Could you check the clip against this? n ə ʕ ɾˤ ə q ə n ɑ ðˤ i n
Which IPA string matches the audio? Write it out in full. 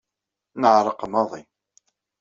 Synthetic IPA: n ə ʕ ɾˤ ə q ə m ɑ ðˤ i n